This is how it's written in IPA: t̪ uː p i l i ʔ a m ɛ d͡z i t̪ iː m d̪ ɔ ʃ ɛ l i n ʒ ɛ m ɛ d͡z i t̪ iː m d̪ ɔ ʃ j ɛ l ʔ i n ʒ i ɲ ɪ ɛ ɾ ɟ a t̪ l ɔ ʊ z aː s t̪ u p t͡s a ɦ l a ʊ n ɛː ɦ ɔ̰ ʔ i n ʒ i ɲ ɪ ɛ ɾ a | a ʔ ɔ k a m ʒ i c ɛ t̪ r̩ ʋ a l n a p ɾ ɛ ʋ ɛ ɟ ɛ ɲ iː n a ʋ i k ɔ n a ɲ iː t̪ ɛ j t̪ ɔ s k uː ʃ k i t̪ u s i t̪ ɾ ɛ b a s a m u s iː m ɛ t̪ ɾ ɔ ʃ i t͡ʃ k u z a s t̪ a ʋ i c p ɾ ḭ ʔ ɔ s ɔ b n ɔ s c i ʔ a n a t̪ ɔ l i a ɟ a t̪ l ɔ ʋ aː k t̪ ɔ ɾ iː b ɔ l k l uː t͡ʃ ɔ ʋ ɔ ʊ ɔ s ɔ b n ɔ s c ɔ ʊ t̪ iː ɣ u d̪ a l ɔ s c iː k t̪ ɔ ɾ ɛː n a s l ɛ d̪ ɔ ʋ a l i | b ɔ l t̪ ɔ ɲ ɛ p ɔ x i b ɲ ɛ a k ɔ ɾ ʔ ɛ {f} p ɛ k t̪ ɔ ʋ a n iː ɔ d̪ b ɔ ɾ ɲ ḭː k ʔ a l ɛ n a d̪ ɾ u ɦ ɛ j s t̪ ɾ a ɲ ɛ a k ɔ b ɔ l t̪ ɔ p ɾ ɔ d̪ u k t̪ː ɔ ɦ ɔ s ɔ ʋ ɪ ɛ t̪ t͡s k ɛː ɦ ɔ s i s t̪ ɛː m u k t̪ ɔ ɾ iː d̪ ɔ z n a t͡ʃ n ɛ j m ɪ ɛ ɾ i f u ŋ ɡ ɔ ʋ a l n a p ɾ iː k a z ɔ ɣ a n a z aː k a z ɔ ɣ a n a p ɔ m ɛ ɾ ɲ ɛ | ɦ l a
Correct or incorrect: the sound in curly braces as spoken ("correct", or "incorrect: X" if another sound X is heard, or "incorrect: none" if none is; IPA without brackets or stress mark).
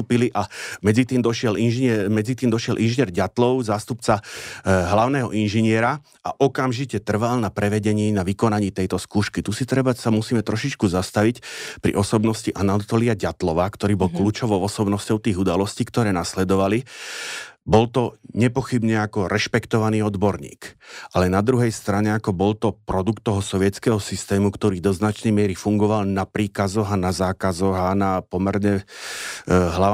incorrect: ʃ